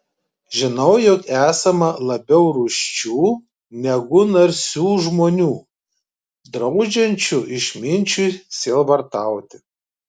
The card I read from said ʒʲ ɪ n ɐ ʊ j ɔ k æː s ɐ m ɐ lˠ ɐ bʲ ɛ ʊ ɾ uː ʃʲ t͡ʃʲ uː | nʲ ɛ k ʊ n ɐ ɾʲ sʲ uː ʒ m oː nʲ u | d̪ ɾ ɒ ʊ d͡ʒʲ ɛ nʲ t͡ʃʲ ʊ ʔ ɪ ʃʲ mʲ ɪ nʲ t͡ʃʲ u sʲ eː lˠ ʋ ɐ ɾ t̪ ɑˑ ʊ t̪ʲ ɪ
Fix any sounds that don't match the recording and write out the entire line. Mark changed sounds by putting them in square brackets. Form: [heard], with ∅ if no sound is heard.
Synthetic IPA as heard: ʒʲ ɪ n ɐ ʊ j ɔ k æː s ɐ m ɐ lˠ ɐ bʲ ɛ ʊ ɾ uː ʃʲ t͡ʃʲ uː | nʲ ɛ [ɡ] ʊ n ɐ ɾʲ sʲ uː ʒ m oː nʲ [uː] | d̪ ɾ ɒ ʊ d͡ʒʲ ɛ nʲ t͡ʃʲ ʊ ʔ ɪ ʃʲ mʲ ɪ nʲ t͡ʃʲ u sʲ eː lˠ ʋ ɐ ɾ t̪ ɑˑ ʊ t̪ʲ ɪ